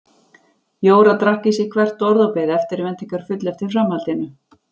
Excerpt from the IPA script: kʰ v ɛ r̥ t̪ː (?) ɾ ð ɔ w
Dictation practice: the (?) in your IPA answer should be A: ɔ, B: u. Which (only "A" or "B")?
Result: A